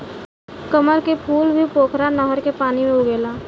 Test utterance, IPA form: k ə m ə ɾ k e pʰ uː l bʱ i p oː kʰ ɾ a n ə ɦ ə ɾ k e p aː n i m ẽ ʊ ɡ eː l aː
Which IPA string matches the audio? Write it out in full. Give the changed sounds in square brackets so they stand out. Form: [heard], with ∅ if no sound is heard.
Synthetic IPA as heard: k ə m ə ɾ k e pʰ uː l bʱ i p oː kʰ ɾ a n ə ɦ ə ɾ k e p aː n i m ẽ ʊ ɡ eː l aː